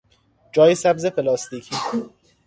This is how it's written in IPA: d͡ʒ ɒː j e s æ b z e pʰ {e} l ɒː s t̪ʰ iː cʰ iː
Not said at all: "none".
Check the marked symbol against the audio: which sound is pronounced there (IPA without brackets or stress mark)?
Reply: e